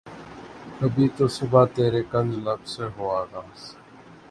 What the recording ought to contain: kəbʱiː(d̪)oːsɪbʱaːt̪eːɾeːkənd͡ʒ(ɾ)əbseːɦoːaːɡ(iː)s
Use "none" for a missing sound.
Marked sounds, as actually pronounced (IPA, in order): t̪, l, aː

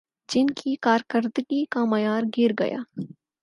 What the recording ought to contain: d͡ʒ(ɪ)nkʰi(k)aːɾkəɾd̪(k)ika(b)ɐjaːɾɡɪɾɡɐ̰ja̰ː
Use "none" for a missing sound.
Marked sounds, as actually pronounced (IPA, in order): ɪ, k, ɡ, m

